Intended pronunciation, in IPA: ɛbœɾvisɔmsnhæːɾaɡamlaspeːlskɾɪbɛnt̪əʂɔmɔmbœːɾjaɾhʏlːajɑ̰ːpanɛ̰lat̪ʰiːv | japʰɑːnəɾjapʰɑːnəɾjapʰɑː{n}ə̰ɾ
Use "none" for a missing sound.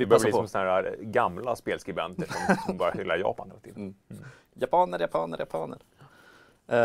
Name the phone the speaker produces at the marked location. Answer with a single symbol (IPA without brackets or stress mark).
n